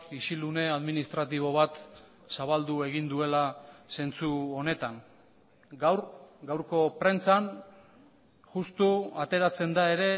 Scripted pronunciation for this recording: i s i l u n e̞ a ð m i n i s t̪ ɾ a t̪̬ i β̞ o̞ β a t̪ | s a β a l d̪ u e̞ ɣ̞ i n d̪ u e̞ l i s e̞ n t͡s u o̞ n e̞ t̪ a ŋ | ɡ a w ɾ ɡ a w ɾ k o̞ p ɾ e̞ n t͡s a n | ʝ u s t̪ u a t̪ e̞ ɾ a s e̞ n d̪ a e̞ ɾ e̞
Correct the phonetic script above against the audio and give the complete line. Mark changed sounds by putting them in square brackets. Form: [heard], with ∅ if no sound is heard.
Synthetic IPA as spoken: i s i l u n e̞ a ð m i n i s t̪ ɾ a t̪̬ i β̞ o̞ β a t̪ | s a β a l d̪ u e̞ ɣ̞ i n d̪ u e̞ l [a] s e̞ n t͡s u o̞ n e̞ t̪ a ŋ | ɡ a w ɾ ɡ a w ɾ k o̞ p ɾ e̞ n t͡s a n | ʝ u s t̪ u a t̪ e̞ ɾ a [t͡s] e̞ n d̪ a e̞ ɾ e̞